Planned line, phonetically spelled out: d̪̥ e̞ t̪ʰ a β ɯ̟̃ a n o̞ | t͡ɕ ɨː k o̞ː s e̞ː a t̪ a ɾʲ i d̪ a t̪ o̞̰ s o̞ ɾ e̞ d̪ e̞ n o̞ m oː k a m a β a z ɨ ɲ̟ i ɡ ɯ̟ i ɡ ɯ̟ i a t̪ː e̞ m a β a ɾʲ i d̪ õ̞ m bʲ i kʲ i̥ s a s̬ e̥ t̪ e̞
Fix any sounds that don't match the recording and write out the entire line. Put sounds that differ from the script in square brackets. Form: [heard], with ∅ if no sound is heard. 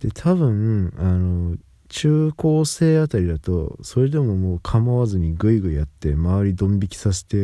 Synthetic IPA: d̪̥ e̞ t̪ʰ a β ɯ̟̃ a n o̞ | t͡ɕ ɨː k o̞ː s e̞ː a t̪ a ɾʲ i d̪ a t̪ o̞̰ s o̞ ɾ e̞ d̪ e̞ [m] o̞ m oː [kʰ] a m a β a z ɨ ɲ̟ i ɡ ɯ̟ i ɡ ɯ̟ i a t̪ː e̞ m a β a ɾʲ i d̪ õ̞ m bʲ i kʲ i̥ s a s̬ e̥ t̪ e̞